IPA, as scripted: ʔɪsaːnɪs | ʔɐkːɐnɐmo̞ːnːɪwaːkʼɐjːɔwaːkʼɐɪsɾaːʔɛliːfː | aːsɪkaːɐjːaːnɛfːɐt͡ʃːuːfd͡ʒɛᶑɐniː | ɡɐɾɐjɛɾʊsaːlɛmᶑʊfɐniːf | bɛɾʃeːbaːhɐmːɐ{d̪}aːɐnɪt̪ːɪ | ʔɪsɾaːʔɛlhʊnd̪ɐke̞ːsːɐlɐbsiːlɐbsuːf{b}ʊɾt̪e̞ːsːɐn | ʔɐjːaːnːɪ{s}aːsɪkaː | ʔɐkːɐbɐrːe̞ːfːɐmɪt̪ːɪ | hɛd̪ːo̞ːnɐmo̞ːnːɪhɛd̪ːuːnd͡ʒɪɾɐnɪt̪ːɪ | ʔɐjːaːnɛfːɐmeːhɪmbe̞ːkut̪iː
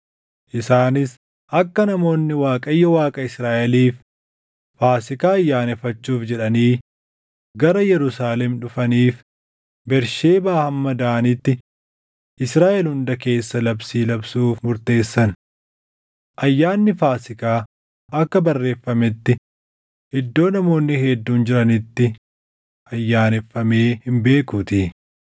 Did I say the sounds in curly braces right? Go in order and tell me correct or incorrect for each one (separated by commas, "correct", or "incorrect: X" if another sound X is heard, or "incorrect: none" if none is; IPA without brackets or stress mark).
correct, incorrect: m, incorrect: f